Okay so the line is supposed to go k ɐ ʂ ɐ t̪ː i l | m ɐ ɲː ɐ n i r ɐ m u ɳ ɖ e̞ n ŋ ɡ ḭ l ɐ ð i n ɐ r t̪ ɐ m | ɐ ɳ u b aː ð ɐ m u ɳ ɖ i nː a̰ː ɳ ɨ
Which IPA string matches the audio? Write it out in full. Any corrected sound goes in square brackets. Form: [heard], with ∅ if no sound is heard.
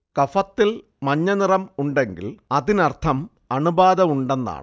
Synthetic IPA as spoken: k ɐ [f] ɐ t̪ː i l | m ɐ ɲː ɐ n i r ɐ m u ɳ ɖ e̞ [∅] ŋ ɡ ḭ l ɐ ð i n ɐ r [t̪ʰ] ɐ m | ɐ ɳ u b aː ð ɐ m u ɳ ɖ [e] nː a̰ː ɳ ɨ

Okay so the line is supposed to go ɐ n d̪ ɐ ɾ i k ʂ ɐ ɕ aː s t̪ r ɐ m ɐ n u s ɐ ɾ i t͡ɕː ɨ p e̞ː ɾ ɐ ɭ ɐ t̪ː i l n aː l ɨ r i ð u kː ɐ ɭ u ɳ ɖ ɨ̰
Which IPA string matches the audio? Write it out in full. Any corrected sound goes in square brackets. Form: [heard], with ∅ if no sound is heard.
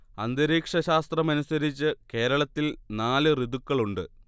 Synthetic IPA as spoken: ɐ n d̪ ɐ ɾ [iː] k ʂ ɐ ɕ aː s t̪ r ɐ m ɐ n u s ɐ ɾ i t͡ɕː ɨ [k] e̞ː ɾ ɐ ɭ ɐ t̪ː i l n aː l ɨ r i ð u kː ɐ ɭ u ɳ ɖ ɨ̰

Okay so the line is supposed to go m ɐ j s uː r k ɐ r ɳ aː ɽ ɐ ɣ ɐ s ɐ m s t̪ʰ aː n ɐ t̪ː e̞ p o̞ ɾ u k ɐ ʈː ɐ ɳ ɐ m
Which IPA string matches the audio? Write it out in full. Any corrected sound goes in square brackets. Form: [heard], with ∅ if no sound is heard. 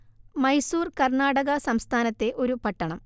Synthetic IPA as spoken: m ɐ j s uː r k ɐ r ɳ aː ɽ ɐ ɣ ɐ s ɐ m s t̪ʰ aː n ɐ t̪ː e̞ [ʔ] o̞ ɾ u [p] ɐ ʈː ɐ ɳ ɐ m

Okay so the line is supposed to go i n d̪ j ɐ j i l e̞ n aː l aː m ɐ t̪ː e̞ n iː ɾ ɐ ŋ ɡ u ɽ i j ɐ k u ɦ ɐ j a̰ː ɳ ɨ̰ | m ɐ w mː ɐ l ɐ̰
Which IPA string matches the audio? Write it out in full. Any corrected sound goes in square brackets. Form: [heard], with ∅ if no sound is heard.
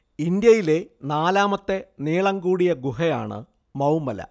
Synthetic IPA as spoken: i n d̪ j ɐ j i l e̞ n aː l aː m ɐ t̪ː e̞ n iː [ɭ] ɐ ŋ ɡ [uː] ɽ i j ɐ [ɡ] u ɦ ɐ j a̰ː ɳ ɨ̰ | m ɐ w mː ɐ l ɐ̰

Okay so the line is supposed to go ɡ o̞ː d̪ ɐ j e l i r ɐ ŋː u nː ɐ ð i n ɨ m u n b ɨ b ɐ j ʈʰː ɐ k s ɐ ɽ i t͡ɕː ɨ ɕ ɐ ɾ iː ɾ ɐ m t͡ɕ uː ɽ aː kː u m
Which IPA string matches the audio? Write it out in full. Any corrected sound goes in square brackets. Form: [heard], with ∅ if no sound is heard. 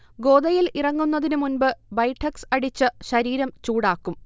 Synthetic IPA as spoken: ɡ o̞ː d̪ ɐ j [i] l i r ɐ ŋː u nː ɐ ð i n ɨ m u n b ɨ b ɐ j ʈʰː ɐ k s ɐ ɽ i t͡ɕː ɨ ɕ ɐ ɾ iː ɾ ɐ m t͡ɕ uː ɽ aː kː u m

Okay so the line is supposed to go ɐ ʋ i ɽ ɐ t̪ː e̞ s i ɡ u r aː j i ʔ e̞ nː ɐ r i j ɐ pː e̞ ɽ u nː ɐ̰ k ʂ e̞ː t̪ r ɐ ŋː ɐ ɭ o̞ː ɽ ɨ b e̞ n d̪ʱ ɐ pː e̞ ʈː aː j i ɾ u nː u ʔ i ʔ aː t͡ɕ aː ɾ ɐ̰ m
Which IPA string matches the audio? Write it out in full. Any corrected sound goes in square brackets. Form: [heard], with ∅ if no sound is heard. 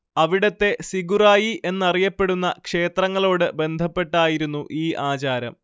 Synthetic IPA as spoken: ɐ ʋ i ɽ ɐ t̪ː e̞ s i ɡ u r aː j i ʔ e̞ nː ɐ r i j ɐ pː e̞ ɽ u nː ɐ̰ k ʂ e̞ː t̪ r ɐ ŋː ɐ ɭ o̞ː ɽ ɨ b e̞ n d̪ʱ ɐ pː e̞ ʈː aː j i ɾ u nː u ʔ [iː] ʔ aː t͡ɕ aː ɾ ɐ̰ m

